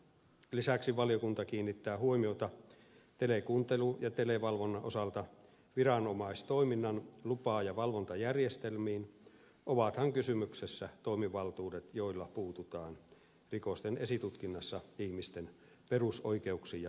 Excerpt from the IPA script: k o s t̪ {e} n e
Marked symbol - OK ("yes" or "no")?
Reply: yes